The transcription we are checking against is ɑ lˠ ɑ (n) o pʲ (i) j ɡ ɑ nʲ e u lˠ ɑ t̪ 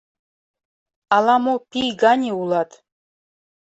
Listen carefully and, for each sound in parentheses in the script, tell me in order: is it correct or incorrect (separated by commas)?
incorrect, correct